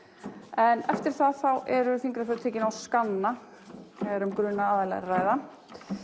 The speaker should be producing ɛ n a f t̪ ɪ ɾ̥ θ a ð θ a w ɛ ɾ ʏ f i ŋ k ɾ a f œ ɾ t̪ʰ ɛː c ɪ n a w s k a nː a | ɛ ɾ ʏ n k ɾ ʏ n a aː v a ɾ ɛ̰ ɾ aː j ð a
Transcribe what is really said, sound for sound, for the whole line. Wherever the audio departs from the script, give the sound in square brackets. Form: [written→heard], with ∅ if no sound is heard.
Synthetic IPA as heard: ɛ n [a→ɛ] f t̪ ɪ ɾ̥ θ a ð θ a w ɛ ɾ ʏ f i ŋ k ɾ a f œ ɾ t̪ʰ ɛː c ɪ n a w s k a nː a | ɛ ɾ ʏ [n→m] k ɾ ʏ n a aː [v→ð] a [ɾ→l] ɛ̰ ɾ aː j ð a